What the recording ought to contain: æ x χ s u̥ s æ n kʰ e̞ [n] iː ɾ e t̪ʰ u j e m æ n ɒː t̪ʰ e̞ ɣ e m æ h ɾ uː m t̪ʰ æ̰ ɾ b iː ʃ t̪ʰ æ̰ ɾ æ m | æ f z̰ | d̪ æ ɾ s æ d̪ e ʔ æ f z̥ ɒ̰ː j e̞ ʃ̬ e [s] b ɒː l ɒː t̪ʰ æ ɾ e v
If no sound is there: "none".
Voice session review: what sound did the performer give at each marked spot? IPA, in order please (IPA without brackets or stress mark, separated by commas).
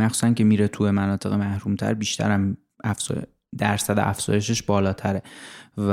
m, ʃ